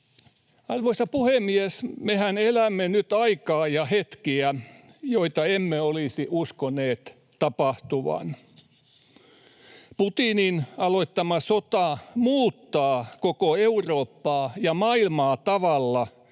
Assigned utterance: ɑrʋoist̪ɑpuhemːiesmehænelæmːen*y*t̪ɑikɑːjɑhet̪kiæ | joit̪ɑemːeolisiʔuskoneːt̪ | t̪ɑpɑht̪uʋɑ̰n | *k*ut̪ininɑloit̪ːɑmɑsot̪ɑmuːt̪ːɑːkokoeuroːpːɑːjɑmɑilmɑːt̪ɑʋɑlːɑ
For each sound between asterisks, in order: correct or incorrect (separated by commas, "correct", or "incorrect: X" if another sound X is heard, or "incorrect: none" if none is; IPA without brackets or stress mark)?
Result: correct, incorrect: p